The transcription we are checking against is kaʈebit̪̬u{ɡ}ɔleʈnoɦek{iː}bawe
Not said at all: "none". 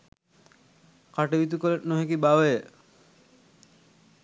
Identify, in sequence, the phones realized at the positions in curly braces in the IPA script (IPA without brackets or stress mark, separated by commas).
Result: k, i